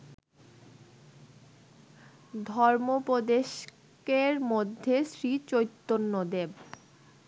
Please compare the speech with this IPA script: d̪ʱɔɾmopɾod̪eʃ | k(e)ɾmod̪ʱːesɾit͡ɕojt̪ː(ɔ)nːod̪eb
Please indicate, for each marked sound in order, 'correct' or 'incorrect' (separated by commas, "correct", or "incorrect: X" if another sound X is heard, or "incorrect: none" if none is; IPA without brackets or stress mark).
correct, incorrect: o